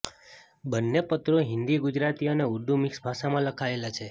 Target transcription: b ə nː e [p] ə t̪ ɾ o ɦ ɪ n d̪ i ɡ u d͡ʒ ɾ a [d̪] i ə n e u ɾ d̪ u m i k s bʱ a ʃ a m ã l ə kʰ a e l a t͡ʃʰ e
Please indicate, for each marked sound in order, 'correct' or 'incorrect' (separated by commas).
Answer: correct, incorrect